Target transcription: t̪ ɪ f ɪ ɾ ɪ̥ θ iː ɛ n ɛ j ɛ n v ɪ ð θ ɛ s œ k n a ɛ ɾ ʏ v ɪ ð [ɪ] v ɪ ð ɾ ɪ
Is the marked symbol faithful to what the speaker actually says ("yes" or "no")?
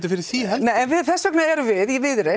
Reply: no